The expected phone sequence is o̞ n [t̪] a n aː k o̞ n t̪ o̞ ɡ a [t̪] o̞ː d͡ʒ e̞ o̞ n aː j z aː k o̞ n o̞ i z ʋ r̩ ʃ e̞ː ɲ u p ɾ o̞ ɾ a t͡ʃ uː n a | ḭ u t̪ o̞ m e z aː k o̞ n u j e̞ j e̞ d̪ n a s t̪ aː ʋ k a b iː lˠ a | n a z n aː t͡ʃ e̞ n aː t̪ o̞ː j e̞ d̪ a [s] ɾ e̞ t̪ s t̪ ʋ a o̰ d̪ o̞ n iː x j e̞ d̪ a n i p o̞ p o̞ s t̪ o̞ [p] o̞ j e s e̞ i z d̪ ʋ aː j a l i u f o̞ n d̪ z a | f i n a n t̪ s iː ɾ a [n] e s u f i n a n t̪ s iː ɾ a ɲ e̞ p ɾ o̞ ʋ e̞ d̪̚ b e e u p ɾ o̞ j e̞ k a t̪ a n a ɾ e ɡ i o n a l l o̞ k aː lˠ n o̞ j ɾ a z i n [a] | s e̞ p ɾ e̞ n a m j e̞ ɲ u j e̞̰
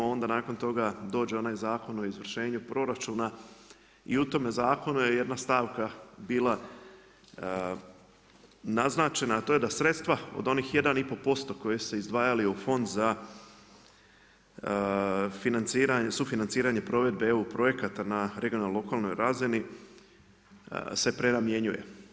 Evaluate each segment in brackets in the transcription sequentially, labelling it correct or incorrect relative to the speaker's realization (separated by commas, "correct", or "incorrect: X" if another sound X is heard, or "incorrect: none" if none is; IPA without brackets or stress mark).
incorrect: d̪, incorrect: d̪, correct, incorrect: k, incorrect: ɲ, incorrect: i